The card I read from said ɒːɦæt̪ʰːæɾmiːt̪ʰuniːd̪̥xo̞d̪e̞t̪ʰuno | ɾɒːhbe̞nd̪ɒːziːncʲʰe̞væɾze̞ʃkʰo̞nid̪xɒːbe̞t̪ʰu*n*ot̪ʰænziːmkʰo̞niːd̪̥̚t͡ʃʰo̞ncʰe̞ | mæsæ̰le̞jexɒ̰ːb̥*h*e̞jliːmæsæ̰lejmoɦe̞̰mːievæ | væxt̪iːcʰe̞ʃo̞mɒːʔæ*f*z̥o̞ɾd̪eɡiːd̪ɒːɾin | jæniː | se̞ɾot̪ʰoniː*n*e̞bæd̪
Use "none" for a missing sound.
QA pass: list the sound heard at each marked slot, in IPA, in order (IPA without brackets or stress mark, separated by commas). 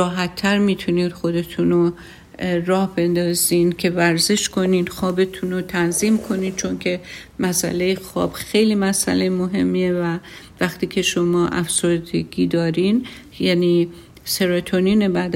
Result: n, x, f, n